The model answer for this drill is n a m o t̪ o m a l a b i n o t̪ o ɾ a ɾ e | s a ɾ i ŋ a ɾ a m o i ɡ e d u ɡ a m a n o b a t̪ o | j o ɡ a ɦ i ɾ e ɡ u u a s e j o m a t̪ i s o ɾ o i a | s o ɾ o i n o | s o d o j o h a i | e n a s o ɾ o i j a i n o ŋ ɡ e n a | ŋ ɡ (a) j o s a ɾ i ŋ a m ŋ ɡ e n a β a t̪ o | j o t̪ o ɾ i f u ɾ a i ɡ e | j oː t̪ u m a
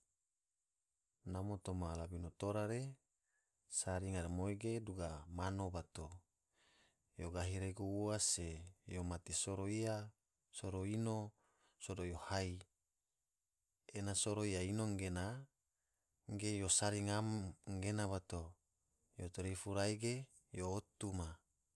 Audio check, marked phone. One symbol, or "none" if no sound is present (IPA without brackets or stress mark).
e